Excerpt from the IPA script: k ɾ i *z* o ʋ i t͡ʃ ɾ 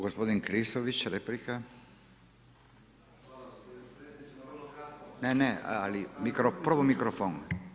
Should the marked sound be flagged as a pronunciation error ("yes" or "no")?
yes